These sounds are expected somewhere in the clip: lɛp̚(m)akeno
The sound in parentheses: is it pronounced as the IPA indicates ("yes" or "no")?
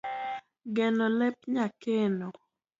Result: no